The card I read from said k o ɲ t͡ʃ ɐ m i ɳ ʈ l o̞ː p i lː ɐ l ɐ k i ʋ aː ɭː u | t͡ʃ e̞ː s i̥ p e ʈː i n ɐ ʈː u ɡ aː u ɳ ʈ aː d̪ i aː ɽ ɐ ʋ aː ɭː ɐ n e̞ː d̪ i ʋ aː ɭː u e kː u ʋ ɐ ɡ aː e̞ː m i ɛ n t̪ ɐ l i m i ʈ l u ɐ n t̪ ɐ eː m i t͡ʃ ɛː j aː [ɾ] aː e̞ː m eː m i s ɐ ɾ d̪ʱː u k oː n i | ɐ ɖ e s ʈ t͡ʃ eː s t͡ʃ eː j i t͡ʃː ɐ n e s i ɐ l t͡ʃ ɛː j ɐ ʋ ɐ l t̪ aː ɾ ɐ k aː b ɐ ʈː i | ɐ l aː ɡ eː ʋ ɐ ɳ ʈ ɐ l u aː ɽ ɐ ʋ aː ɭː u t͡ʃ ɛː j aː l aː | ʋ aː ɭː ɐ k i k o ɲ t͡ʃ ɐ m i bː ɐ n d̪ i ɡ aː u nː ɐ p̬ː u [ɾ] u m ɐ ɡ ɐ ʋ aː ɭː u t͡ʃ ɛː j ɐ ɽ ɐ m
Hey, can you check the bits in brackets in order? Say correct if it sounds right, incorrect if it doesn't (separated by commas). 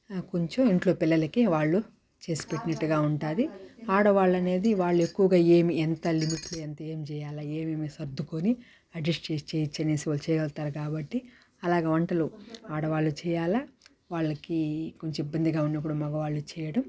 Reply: incorrect, incorrect